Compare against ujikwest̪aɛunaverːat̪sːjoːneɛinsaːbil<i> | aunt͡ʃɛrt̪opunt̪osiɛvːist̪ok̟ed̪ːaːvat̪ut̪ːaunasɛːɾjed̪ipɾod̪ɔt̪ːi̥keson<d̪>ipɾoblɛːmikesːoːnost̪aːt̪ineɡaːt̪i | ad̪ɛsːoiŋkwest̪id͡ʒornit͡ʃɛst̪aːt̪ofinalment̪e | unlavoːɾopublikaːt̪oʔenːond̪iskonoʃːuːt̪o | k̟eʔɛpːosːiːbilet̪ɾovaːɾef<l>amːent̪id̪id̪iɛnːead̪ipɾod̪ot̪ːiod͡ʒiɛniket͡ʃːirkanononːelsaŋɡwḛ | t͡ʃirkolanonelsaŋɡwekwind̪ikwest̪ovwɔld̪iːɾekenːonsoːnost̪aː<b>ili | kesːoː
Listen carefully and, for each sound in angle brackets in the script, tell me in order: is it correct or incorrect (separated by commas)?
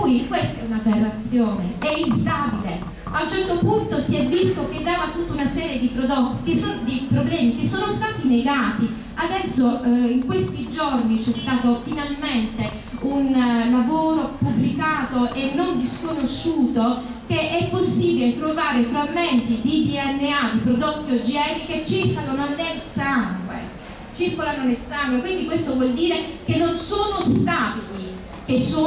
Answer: incorrect, correct, incorrect, correct